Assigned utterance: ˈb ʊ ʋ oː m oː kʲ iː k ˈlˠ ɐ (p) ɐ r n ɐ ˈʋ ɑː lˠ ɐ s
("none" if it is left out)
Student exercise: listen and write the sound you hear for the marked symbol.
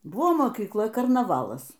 k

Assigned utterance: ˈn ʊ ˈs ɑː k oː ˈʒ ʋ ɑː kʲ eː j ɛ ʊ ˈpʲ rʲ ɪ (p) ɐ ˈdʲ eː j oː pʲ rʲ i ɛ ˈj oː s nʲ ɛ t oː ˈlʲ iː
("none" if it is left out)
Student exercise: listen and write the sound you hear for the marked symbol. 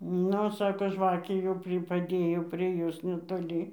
p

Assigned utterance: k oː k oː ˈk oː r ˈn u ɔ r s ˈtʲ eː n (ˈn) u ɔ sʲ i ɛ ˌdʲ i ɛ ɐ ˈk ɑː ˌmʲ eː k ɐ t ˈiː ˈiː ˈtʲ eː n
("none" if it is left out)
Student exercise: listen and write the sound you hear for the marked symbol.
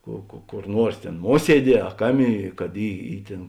m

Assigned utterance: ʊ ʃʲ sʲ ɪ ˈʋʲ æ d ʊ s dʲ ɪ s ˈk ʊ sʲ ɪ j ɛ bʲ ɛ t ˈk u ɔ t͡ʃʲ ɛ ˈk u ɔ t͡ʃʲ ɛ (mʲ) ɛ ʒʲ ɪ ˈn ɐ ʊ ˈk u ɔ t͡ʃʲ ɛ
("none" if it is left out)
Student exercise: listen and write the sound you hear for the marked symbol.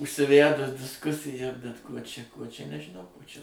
nʲ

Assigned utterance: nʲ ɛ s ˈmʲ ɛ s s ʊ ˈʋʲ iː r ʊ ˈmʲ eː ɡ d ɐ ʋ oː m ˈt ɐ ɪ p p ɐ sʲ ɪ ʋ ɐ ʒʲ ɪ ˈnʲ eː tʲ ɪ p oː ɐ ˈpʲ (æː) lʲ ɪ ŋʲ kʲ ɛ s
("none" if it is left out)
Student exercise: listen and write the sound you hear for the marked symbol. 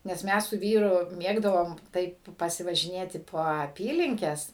iː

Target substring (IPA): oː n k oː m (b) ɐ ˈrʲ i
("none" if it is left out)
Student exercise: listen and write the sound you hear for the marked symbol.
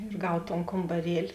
b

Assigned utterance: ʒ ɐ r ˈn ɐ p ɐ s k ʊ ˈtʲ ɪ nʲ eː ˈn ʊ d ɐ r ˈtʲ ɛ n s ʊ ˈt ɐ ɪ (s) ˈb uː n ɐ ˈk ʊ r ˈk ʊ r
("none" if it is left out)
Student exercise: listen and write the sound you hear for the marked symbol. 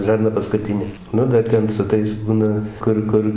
s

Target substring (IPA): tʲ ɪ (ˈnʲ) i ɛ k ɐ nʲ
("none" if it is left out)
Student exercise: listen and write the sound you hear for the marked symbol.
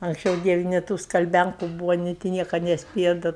nʲ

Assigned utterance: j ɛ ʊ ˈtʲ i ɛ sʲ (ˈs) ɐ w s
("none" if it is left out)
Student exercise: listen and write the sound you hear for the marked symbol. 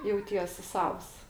s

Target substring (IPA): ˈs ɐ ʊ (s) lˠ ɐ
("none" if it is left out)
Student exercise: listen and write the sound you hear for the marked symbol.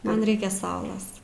none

